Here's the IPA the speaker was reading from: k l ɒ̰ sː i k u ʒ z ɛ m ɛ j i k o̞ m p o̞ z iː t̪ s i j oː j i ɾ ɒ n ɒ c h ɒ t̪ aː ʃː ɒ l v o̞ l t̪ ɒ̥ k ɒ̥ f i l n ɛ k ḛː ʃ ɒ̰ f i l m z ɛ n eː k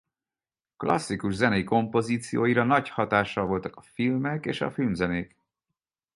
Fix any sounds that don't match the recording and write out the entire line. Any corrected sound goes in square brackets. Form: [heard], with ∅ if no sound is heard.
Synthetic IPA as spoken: k l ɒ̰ sː i k u ʒ z ɛ [n] ɛ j i k o̞ m p o̞ z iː t̪ s i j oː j i ɾ ɒ n ɒ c h ɒ t̪ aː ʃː ɒ l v o̞ l t̪ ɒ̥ k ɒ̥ f i l [m] ɛ k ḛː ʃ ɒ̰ f i l m z ɛ n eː k